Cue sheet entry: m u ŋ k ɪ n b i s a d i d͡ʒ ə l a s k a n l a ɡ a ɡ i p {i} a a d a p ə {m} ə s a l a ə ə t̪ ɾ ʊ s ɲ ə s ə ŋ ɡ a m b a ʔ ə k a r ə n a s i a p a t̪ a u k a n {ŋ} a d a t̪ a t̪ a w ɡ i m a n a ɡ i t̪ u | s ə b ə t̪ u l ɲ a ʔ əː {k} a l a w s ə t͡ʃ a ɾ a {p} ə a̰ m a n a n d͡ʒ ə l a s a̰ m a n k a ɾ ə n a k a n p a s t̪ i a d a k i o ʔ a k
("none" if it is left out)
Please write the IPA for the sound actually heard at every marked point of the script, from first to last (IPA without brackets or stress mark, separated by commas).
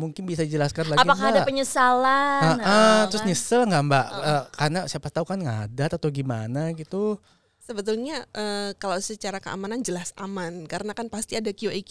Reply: a, ɲ, ŋ, k, k